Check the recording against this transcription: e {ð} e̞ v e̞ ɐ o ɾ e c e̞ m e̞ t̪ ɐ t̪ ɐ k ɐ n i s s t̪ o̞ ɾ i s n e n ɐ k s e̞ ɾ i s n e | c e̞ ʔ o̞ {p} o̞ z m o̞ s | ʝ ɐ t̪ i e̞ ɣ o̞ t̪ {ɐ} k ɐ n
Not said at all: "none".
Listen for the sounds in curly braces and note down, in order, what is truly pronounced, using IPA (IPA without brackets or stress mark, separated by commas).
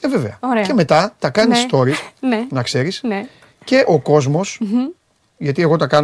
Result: v, k, ɐ